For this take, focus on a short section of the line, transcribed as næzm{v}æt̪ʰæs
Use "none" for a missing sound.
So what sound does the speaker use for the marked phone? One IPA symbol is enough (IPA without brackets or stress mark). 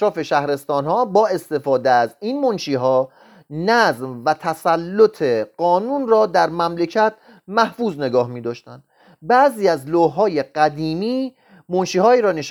v